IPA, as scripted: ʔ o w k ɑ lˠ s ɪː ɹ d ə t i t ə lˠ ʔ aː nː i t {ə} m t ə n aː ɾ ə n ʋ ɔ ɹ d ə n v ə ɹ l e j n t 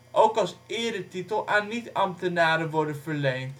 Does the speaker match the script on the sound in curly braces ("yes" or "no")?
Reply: no